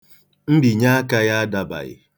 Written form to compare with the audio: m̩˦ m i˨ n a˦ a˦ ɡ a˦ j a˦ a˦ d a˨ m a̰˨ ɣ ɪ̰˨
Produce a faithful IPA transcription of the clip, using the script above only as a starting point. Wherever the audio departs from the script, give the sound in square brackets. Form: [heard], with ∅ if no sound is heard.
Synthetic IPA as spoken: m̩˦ [b] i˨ [ɲ] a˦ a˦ [k] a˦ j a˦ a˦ d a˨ [b] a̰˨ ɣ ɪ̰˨

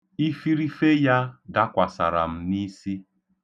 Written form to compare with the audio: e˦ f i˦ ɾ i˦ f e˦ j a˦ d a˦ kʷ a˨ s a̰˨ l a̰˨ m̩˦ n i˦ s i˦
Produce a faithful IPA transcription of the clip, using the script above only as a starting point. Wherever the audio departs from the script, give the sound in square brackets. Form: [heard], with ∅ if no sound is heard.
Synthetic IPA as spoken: [i˦] f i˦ ɾ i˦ f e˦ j a˦ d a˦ kʷ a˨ s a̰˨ [ɾ] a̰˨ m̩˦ n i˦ s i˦

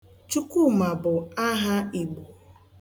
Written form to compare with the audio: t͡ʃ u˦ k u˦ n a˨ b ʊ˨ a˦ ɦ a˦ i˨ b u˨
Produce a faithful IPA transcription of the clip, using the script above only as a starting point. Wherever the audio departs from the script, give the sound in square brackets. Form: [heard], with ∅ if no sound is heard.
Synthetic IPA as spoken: t͡ʃ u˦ k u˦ [m] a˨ b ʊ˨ a˦ ɦ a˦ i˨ [ɡ͡b] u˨

